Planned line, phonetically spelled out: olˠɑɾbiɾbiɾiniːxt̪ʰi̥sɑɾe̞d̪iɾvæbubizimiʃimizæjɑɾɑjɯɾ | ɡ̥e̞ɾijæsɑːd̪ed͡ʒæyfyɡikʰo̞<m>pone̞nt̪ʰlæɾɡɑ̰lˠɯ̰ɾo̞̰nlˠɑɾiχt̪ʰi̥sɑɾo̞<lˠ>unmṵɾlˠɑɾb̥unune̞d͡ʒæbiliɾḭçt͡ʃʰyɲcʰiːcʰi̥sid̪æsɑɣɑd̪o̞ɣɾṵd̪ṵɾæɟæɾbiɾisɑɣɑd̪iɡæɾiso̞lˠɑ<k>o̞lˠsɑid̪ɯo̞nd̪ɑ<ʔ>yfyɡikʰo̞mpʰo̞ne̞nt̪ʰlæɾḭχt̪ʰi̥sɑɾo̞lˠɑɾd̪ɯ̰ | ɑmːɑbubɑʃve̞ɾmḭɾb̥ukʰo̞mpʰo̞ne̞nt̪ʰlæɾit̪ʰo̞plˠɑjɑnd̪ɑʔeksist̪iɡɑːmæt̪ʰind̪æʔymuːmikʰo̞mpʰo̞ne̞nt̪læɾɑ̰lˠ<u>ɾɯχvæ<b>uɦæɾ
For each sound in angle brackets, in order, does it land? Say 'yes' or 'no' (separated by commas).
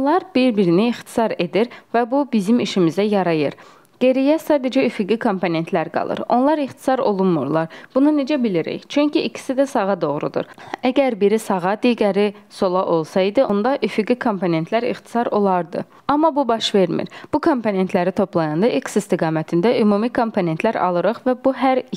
yes, yes, no, yes, no, yes